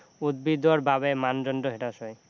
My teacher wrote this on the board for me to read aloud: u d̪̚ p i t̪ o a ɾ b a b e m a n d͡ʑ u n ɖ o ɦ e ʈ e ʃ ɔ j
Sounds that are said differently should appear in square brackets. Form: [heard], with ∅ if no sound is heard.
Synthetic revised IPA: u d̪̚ [b] i [d̪] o a ɾ b a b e m a n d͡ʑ [ɔ] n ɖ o ɦ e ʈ [a] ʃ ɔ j